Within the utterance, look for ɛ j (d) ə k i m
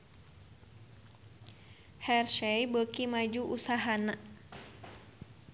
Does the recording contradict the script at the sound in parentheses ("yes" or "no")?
yes